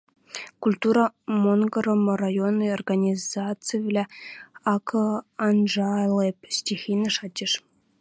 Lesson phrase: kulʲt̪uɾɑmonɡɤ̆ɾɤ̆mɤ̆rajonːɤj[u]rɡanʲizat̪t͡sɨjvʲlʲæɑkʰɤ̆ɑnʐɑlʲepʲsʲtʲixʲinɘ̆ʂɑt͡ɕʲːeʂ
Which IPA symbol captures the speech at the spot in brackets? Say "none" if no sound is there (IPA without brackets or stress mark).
o